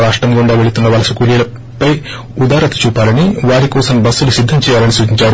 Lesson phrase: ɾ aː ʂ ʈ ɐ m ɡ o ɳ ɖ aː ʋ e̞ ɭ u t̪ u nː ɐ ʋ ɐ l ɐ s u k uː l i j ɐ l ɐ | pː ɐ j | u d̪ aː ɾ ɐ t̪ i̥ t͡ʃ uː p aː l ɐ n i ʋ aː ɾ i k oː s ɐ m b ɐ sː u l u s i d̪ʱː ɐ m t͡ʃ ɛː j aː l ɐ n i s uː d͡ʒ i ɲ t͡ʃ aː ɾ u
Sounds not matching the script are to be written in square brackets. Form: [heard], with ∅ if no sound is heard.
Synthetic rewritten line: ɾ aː ʂ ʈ ɐ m ɡ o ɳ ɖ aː ʋ e̞ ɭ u t̪ u nː ɐ ʋ ɐ l ɐ s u k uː l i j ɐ l ɐ | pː ɐ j | u d̪ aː ɾ ɐ t̪ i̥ t͡ʃ uː p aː l ɐ n i ʋ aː ɾ i k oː s ɐ m b ɐ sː u l u s i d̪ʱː ɐ m t͡ʃ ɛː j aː l ɐ n i s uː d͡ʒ i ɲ t͡ʃ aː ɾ u